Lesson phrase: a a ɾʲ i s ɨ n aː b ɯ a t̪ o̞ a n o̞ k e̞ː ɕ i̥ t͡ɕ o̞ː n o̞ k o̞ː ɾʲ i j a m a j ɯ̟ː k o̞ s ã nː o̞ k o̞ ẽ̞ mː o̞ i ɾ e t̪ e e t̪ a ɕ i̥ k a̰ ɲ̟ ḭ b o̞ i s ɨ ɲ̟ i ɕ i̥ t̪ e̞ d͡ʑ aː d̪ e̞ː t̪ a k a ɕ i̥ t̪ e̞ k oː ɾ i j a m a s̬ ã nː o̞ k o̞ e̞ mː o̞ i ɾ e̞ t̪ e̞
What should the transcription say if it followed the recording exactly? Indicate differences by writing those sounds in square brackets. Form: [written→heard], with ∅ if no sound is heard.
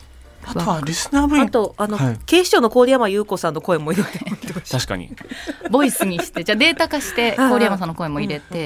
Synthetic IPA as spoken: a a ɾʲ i s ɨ n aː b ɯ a t̪ o̞ a n o̞ k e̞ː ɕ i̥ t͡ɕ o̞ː n o̞ k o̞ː ɾʲ i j a m a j ɯ̟ː k o̞ s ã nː o̞ k o̞ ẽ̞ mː o̞ i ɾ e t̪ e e t̪ a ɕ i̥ k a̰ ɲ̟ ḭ b o̞ i s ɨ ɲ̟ i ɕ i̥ t̪ e̞ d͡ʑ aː d̪ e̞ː t̪ a k a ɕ i̥ t̪ e̞ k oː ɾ i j a m a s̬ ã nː o̞ k o̞ e̞ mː o̞ i ɾ e̞ t̪ e̞